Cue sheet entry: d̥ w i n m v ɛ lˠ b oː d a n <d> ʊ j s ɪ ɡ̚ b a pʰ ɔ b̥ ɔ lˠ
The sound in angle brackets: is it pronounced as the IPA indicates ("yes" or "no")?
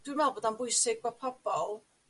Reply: no